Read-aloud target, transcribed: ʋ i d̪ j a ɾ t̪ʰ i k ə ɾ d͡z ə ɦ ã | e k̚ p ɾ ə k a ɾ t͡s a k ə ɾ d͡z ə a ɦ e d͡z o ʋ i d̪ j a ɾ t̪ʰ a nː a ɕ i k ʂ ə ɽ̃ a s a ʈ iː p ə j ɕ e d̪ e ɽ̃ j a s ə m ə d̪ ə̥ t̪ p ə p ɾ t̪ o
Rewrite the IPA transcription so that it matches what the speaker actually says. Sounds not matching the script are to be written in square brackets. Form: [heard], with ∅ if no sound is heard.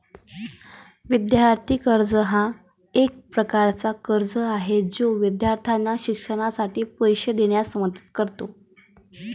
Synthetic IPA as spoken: ʋ i d̪ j a ɾ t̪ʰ i k ə ɾ d͡z ə ɦ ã | e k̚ p ɾ ə k a ɾ t͡s a k ə ɾ d͡z ə a ɦ e d͡z o ʋ i d̪ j a ɾ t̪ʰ a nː a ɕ i k ʂ ə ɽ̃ a s a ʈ iː p ə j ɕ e d̪ e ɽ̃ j a s ə m ə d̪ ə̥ t̪ [k] ə [∅] ɾ t̪ o

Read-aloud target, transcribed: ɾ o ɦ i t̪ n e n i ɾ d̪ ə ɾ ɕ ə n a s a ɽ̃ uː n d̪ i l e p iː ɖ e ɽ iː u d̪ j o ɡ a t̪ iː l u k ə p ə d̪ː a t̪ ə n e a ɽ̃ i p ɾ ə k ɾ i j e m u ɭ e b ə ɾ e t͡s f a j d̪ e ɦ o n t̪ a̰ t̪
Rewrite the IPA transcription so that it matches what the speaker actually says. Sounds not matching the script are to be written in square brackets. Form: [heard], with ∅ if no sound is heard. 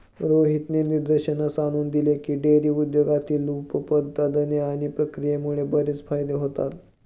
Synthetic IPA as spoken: ɾ o ɦ i t̪ n e n i ɾ d̪ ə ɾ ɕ ə n a s a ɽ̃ uː n d̪ i l e [k] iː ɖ e [ɾ] iː u d̪ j o ɡ a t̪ iː l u [p] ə p ə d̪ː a [d̪] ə n e a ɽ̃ i p ɾ ə k ɾ i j e m u ɭ e b ə ɾ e t͡s f a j d̪ e ɦ o [∅] t̪ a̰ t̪

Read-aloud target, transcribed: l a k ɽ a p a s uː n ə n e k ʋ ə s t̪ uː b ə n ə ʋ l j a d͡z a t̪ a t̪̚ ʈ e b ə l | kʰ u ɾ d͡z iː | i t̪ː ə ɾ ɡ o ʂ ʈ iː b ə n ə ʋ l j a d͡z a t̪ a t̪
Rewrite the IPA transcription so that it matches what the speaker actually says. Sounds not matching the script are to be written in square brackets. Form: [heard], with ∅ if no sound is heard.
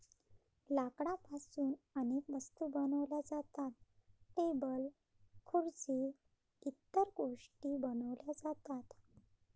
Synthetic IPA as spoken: l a k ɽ a p a s uː n ə n e k ʋ ə s t̪ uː b ə n ə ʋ l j a d͡z a t̪ a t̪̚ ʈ e b ə l | kʰ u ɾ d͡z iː | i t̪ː ə ɾ ɡ o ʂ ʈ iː b ə n ə ʋ l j a d͡z a t̪ a t̪

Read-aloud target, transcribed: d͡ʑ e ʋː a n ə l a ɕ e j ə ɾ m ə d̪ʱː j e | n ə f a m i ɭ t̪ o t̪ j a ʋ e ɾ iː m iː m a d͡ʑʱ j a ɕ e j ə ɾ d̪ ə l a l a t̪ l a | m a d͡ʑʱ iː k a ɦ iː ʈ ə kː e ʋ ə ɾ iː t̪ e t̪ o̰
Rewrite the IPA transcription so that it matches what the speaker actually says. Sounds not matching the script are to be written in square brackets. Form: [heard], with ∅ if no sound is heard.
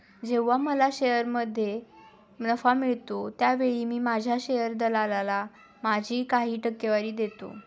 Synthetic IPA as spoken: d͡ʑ e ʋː a [m] ə l a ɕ e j ə ɾ m ə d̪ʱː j e | n ə f a m i ɭ t̪ o t̪ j a ʋ e [ɭ] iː m iː m a d͡ʑʱ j a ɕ e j ə ɾ d̪ ə l a l a [∅] l a | m a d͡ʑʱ iː k a ɦ iː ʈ ə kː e ʋ [a] ɾ iː [d̪] e t̪ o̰

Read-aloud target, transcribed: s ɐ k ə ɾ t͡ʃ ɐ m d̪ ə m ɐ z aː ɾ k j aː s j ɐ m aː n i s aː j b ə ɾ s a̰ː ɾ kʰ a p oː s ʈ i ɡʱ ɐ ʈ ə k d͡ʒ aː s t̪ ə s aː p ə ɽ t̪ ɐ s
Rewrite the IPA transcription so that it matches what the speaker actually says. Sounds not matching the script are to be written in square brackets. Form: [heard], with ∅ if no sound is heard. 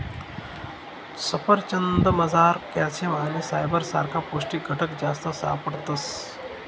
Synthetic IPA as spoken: s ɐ [p] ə ɾ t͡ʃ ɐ [n] d̪ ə m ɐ z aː ɾ k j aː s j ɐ m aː n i s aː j b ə ɾ s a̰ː ɾ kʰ a p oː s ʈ i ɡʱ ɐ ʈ ə k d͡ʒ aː s t̪ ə s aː p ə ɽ t̪ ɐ s

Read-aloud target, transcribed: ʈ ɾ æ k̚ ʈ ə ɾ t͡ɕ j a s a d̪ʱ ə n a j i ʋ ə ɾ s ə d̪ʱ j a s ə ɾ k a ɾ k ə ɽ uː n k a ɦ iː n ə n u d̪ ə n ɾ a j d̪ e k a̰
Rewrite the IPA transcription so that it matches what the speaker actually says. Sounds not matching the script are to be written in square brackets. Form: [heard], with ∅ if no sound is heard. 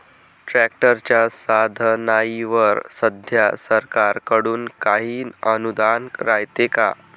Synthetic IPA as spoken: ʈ ɾ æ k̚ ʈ ə ɾ t͡ɕ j a s a d̪ʱ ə n a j i ʋ ə ɾ s ə d̪ʱ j a s ə ɾ k a ɾ k ə ɽ uː n k a ɦ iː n ə n u d̪ [a] n ɾ a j [t̪] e k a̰

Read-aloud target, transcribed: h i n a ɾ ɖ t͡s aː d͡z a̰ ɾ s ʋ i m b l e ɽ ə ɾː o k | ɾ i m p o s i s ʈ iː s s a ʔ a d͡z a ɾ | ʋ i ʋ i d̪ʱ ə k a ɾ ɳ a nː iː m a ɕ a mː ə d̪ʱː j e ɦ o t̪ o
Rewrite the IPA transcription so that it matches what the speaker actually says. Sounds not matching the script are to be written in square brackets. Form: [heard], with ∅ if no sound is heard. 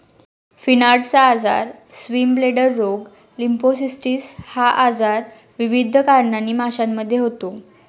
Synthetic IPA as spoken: [f] i n a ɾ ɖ t͡s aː d͡z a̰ ɾ s ʋ i m b l e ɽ ə ɾː o [ɡ] | [l] i m p o s i s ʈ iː s [h] a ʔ a d͡z a ɾ | ʋ i ʋ i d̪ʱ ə k a ɾ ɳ a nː iː m a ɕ a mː ə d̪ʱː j e ɦ o t̪ o

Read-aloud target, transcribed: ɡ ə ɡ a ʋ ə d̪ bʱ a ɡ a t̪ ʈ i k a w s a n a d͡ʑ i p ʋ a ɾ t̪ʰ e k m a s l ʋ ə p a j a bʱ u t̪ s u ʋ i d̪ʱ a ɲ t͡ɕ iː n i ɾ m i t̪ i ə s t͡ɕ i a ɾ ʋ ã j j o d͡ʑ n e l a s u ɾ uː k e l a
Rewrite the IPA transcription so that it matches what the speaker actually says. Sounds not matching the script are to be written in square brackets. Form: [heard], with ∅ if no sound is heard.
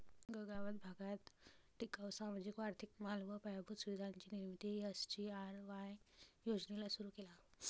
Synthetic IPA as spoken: ɡ ə ɡ a ʋ ə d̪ bʱ a ɡ a t̪ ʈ i k a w s a [m] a d͡ʑ i [k] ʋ a ɾ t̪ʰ [i] k m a [∅] l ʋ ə p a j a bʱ u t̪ s u ʋ i d̪ʱ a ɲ t͡ɕ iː n i ɾ m i t̪ i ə s t͡ɕ i a ɾ ʋ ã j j o d͡ʑ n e l a s u ɾ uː k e l a

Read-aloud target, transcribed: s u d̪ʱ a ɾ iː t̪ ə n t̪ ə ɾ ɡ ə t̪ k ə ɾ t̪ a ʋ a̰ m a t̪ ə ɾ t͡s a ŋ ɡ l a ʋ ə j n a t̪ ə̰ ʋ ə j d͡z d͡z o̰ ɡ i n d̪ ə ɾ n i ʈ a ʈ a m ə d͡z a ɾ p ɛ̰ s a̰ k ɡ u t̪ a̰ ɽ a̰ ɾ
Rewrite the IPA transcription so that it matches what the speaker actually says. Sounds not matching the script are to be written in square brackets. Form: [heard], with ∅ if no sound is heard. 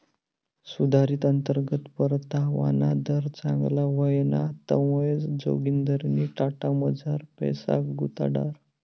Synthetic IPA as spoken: s u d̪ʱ a ɾ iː t̪ ə n t̪ ə ɾ ɡ ə t̪ [p] ə ɾ t̪ a ʋ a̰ [n] a [d̪] ə ɾ t͡s a ŋ ɡ l a ʋ ə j n a t̪ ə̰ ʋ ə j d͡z d͡z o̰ ɡ i n d̪ ə ɾ n i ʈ a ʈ a m ə d͡z a ɾ p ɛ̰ s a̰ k ɡ u t̪ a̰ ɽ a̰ ɾ

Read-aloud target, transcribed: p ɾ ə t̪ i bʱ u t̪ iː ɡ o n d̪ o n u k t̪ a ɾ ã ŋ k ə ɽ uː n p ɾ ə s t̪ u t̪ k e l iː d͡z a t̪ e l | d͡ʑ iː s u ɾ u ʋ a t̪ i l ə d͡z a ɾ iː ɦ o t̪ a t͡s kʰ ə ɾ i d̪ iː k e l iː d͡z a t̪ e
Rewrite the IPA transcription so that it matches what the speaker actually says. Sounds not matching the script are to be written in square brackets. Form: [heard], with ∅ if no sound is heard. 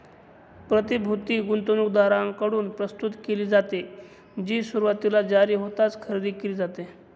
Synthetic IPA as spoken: p ɾ ə t̪ i bʱ u t̪ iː ɡ [u] n [t̪] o n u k [d̪] a ɾ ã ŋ k ə ɽ uː n p ɾ ə s t̪ u t̪ k e l iː d͡z a t̪ e [∅] | d͡ʑ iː s u ɾ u ʋ a t̪ i l [a] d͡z a ɾ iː ɦ o t̪ a t͡s kʰ ə ɾ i d̪ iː k e l iː d͡z a t̪ e

